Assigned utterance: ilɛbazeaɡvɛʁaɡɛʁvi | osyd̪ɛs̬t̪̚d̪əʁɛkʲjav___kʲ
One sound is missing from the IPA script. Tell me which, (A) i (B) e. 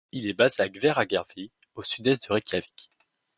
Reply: A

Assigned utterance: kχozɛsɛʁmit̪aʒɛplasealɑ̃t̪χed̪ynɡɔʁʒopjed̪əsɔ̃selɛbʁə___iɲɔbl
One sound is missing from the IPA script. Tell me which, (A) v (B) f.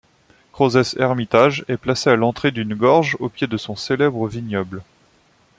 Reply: A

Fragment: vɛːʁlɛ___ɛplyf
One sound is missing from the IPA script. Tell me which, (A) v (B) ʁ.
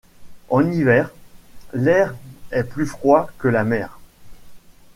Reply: B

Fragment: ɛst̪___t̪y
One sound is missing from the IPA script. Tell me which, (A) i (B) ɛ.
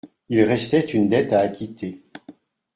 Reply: B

